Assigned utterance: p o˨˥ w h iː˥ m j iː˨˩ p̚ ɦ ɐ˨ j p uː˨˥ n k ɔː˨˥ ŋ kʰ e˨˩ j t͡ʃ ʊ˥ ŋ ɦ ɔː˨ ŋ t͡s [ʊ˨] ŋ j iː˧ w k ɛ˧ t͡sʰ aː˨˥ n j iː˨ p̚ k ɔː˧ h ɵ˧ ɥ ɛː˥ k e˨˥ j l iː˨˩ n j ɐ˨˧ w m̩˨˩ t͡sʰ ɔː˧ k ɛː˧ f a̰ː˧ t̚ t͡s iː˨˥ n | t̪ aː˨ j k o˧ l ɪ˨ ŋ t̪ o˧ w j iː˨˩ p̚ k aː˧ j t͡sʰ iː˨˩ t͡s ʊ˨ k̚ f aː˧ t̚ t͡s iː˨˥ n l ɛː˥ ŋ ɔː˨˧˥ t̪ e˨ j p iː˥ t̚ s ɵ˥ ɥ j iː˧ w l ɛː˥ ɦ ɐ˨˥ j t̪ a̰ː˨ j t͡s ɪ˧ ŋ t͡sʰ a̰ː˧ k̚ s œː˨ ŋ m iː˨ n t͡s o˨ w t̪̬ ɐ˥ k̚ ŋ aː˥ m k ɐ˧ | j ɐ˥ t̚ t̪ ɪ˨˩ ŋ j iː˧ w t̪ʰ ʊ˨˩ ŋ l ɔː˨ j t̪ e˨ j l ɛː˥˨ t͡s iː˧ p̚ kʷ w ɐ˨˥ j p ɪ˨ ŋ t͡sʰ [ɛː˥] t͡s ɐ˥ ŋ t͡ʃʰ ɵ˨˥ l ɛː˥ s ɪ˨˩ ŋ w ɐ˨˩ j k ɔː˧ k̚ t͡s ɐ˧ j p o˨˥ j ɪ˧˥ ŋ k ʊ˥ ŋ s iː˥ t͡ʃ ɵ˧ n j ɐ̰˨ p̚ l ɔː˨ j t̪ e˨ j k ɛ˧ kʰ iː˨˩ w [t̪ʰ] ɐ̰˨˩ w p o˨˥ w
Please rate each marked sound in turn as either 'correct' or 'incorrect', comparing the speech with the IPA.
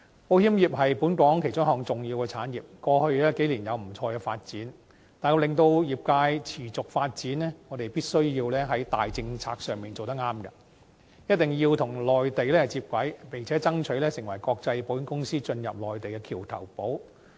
correct, incorrect: ɛː˨˥, correct

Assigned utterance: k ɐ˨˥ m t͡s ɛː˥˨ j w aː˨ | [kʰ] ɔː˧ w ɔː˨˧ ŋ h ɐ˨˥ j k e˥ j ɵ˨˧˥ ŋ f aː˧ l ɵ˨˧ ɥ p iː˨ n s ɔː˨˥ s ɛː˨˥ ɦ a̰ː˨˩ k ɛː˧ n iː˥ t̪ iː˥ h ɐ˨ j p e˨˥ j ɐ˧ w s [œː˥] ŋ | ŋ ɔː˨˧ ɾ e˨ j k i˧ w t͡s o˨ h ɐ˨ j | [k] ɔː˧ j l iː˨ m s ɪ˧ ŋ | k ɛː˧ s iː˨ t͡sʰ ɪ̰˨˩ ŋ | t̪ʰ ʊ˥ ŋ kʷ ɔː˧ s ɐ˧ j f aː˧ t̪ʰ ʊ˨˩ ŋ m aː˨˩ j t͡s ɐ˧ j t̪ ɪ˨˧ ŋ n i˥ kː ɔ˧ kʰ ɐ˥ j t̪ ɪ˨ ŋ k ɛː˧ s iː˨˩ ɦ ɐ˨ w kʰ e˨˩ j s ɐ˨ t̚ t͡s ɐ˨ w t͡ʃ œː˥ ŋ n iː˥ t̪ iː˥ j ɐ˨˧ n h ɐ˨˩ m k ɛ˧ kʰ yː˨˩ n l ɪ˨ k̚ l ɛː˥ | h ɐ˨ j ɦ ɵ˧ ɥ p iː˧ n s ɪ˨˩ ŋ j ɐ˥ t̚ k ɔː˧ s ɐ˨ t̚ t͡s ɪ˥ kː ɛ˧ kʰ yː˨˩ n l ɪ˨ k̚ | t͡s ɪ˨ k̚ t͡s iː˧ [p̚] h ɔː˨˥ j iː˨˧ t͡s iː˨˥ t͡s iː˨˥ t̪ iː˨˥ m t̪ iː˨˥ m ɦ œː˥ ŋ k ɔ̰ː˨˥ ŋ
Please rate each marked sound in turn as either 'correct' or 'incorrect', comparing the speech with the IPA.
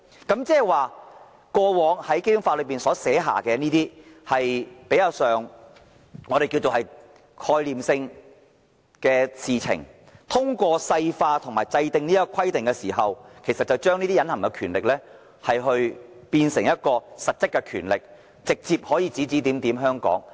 incorrect: k, incorrect: œː˨˩, incorrect: kʰ, correct

